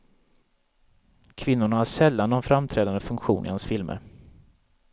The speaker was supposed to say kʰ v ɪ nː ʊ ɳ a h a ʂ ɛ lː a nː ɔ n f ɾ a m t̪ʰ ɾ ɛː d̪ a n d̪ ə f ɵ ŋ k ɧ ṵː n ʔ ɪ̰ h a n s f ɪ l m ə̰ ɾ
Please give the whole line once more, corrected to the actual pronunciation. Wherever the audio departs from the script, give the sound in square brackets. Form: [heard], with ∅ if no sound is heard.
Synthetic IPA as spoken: kʰ v ɪ nː ʊ ɳ a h a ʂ ɛ lː a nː ɔ n f ɾ a m t̪ʰ ɾ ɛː d̪ a n d̪ ə f ɵ ŋ k ɧ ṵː n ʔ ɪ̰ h a n s f ɪ l m ə̰ ɾ